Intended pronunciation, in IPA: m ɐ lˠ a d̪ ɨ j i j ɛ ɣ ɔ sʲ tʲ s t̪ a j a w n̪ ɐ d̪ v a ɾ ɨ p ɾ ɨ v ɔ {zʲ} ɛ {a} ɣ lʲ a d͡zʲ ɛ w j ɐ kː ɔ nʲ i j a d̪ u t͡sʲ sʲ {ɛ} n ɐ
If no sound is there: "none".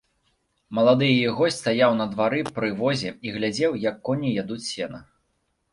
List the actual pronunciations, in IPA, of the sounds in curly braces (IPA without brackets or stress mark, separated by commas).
zʲ, i, ɛ